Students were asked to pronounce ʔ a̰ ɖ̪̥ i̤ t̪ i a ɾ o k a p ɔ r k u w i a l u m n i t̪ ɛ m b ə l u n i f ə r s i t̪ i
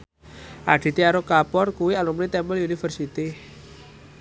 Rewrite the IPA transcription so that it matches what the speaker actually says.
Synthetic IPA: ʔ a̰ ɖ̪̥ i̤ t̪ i a ɾ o k a p ɔ r k u w i a l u m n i t̪ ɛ m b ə l u n i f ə r s i t̪ i